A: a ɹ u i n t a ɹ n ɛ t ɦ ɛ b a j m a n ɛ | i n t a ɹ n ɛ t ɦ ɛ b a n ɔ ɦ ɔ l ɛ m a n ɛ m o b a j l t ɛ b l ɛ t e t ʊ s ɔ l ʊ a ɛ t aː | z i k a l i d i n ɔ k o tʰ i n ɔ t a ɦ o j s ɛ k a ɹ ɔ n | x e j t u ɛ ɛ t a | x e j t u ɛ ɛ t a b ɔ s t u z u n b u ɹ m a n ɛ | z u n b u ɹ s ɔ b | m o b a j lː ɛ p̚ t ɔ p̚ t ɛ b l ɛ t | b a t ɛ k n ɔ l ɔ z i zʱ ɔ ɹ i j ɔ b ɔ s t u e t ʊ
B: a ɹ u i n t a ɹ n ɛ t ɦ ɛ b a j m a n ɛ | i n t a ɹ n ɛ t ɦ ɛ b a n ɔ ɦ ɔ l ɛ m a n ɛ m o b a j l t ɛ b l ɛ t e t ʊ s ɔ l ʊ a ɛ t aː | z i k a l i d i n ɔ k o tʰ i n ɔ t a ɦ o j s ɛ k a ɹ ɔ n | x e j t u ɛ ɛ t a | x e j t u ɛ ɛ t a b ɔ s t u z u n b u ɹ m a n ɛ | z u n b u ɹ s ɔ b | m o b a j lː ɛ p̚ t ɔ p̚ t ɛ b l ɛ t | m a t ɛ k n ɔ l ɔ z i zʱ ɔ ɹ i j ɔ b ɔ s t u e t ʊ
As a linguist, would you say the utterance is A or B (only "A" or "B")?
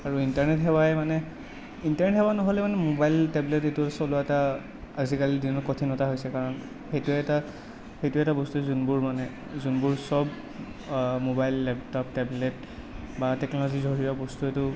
A